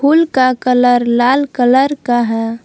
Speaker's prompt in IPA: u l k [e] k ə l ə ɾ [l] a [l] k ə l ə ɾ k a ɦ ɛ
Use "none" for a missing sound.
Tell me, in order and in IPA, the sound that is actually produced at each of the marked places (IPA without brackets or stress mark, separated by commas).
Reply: a, l, l